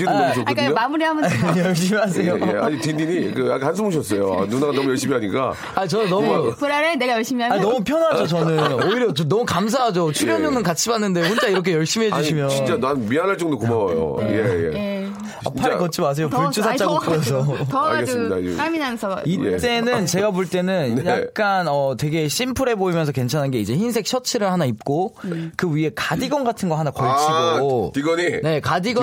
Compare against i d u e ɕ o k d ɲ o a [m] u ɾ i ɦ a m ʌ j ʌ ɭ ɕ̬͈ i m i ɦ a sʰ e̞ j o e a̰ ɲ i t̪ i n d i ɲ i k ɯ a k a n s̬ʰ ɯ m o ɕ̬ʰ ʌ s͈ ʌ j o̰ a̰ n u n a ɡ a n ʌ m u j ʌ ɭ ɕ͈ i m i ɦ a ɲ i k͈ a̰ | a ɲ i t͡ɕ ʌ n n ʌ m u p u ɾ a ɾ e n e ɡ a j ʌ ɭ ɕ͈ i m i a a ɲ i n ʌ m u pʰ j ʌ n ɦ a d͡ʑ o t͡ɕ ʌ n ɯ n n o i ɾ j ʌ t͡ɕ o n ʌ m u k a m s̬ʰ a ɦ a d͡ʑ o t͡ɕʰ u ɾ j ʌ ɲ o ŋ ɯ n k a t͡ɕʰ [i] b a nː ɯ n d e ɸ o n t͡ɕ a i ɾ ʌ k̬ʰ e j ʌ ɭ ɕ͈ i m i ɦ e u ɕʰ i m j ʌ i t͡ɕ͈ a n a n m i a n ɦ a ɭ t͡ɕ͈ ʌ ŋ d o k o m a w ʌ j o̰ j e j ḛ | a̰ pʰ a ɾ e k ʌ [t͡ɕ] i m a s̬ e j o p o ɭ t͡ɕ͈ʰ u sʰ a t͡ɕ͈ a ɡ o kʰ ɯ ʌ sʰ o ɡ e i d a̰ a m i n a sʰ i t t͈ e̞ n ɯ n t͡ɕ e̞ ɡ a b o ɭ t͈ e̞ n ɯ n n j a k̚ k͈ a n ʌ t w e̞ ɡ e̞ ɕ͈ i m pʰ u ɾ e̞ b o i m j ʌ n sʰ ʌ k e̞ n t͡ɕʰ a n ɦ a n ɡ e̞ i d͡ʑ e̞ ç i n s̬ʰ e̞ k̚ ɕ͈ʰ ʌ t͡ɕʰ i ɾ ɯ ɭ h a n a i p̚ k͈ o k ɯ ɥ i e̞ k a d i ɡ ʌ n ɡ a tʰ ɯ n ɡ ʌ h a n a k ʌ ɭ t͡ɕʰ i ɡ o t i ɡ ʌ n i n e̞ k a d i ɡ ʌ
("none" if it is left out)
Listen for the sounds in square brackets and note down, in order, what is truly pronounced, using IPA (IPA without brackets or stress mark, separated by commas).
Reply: m, i, t͡ɕʰ